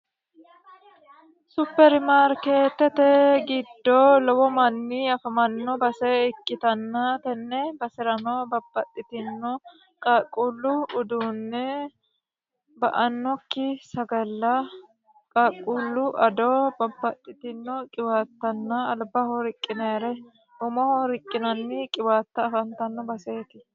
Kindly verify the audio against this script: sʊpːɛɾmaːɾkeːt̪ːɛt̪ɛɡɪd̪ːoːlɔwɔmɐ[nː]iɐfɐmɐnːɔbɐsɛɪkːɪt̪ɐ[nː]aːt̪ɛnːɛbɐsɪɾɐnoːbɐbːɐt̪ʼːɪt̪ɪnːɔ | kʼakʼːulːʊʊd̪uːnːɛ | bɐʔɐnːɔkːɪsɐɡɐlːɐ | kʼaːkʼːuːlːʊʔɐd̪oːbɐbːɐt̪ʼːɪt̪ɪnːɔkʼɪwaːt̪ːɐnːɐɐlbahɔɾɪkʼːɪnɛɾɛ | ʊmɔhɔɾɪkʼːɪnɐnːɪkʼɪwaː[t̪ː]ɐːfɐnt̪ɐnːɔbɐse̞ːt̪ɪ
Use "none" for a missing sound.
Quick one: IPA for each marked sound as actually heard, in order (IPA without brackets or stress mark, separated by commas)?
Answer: nː, nː, t̪ː